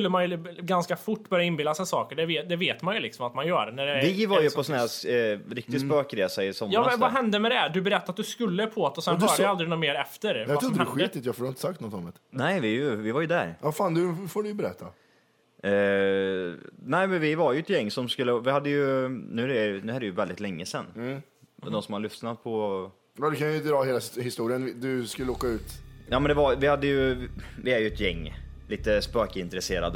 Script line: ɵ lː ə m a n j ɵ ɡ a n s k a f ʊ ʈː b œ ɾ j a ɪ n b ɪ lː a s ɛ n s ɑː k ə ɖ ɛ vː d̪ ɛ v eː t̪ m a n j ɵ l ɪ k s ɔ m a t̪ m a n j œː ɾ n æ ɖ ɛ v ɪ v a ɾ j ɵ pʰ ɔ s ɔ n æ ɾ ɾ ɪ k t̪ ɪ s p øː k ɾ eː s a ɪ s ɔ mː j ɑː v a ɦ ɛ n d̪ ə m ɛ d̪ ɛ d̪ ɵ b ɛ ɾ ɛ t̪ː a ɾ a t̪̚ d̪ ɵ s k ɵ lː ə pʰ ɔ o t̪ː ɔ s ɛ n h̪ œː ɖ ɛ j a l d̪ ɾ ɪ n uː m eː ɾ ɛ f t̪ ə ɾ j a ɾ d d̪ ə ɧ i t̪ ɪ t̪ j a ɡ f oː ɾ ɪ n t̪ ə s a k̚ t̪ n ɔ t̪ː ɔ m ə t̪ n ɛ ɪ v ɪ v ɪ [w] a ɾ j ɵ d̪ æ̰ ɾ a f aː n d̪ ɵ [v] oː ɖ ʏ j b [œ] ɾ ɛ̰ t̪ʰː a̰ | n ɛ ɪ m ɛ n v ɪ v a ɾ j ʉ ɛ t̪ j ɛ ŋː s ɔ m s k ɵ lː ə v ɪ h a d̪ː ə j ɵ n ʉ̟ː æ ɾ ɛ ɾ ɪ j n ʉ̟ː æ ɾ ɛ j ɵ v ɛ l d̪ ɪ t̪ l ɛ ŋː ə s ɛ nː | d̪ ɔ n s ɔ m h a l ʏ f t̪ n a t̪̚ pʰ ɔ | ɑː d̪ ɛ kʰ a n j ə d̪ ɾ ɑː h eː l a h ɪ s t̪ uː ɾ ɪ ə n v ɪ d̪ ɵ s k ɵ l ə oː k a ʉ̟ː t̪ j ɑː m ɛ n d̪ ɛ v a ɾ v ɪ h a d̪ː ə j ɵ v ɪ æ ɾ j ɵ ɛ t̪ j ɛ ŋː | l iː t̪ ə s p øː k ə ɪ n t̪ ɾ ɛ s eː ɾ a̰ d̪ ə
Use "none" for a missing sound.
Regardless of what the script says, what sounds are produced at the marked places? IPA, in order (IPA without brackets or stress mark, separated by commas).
v, f, ɛ